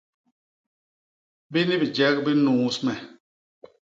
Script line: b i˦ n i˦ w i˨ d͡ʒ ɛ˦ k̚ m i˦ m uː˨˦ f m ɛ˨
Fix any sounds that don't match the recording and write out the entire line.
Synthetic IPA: b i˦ n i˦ b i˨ d͡ʒ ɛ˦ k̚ b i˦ n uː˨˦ s m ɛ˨